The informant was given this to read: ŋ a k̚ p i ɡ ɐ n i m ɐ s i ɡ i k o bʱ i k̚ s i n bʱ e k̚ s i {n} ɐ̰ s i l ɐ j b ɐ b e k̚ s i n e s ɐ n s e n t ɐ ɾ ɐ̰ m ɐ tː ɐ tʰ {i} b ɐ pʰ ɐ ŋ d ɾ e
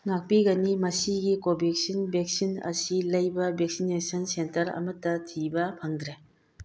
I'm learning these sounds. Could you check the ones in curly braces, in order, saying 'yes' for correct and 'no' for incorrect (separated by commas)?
yes, yes